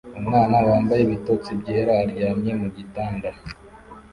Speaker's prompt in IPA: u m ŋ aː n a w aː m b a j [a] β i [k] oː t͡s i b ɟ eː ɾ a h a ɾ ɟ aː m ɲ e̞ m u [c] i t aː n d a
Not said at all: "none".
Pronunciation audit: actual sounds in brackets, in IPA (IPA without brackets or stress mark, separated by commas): e, t, ɟ